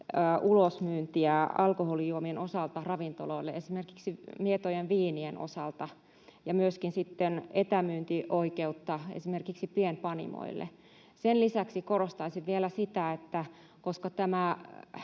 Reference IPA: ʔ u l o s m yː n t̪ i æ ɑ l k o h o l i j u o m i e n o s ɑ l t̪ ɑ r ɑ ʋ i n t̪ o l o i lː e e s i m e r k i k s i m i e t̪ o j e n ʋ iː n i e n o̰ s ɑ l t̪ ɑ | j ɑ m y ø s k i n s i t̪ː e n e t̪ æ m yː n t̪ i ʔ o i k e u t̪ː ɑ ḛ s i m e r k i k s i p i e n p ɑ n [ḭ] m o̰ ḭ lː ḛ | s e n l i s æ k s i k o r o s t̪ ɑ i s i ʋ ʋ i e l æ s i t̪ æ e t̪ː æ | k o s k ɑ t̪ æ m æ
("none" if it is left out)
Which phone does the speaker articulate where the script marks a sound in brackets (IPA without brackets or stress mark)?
ḭ